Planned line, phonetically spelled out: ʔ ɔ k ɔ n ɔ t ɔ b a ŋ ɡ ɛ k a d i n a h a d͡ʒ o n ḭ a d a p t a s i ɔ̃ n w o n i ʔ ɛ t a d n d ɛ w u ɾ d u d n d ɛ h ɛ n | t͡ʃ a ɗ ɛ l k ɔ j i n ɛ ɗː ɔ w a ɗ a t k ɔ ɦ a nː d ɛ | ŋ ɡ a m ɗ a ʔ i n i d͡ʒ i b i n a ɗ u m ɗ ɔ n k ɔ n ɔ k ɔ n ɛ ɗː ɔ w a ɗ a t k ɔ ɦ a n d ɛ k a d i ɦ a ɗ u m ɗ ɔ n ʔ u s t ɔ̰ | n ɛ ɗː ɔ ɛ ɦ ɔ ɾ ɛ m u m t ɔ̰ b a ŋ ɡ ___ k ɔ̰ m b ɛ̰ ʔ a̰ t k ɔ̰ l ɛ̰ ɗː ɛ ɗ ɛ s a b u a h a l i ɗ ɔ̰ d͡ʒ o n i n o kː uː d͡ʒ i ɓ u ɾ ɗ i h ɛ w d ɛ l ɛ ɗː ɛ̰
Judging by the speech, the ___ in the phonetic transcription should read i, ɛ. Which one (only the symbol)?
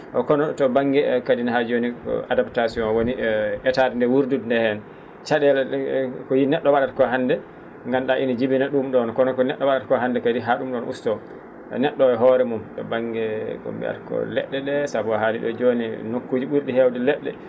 ɛ